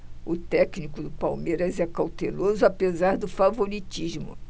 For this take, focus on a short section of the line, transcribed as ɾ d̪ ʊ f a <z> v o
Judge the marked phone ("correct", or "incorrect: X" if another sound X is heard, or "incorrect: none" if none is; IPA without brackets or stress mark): incorrect: none